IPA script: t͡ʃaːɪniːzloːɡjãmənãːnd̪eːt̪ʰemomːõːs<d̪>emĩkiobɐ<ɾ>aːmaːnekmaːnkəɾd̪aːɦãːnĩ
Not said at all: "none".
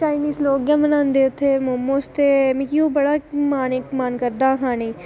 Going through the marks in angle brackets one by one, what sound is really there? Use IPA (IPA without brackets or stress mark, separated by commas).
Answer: t̪, ɽ